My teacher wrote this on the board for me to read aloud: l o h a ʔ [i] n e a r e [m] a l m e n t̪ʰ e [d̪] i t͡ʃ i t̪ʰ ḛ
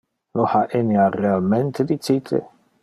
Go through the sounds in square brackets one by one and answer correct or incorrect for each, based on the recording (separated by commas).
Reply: incorrect, incorrect, correct